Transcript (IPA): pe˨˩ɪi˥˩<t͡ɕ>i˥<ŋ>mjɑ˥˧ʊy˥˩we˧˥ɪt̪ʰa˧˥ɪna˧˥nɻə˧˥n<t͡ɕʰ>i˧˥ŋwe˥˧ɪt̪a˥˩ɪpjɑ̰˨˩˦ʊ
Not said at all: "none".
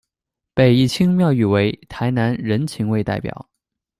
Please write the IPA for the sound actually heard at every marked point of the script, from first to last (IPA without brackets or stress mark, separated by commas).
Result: t͡ɕʰ, ŋ, t͡ɕʰ